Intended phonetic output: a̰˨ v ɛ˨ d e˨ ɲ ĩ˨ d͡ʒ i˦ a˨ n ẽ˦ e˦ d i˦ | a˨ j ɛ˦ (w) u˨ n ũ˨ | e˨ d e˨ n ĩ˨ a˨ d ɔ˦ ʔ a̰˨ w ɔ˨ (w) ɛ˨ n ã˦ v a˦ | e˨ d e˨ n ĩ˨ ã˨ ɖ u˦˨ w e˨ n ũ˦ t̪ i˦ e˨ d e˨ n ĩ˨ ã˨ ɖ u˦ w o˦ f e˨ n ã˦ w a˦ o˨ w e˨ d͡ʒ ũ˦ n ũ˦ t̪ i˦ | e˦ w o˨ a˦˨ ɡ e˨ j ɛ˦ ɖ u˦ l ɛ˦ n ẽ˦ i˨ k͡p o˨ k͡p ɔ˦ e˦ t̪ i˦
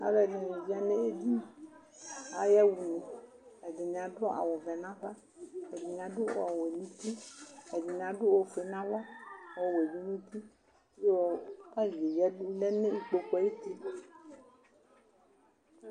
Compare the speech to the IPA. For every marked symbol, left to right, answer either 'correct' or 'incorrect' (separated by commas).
correct, incorrect